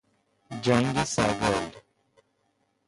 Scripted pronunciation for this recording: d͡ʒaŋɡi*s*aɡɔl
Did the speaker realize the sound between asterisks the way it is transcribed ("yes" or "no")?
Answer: yes